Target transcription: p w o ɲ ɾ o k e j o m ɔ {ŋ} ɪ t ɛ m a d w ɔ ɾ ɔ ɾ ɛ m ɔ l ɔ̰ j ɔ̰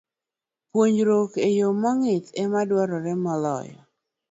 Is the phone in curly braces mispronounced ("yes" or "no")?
no